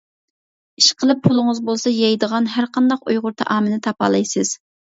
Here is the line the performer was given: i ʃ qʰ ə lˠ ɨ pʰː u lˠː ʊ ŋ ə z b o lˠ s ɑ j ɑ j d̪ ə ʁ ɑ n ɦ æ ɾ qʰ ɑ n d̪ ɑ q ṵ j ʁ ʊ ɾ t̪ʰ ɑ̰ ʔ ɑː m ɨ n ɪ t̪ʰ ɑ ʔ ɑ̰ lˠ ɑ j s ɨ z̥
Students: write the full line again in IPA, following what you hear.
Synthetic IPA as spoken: i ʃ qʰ ə lˠ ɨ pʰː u lˠ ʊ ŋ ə z b o lˠ s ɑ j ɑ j d̪ ə ʁ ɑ n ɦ æ ɾ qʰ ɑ n d̪ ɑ q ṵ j ʁ ʊ ɾ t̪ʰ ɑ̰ ʔ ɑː m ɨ n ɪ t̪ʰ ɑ p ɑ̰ lˠ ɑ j s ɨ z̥